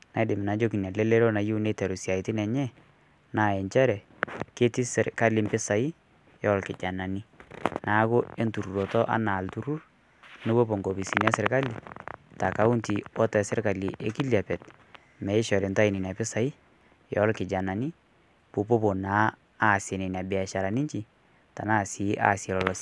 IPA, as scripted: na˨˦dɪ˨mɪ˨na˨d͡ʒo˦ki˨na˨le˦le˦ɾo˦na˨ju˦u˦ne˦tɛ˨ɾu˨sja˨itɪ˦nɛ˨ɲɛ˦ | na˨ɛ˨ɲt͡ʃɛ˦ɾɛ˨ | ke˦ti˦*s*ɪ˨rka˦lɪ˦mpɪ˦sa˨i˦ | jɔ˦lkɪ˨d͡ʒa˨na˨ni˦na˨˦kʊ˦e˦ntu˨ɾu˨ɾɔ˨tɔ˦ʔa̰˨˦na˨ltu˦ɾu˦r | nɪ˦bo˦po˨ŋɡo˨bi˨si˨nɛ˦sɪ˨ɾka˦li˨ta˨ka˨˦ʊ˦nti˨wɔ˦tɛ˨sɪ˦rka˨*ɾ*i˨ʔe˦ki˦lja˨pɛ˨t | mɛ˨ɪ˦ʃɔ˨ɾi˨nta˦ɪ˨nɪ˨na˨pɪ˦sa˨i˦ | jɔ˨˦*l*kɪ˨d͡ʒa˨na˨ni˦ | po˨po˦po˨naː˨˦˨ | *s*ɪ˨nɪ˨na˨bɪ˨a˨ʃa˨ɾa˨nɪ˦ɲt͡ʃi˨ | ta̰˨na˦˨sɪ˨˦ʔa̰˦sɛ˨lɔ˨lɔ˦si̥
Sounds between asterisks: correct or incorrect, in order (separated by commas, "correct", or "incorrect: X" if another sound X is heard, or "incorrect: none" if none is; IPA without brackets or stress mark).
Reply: correct, incorrect: l, correct, correct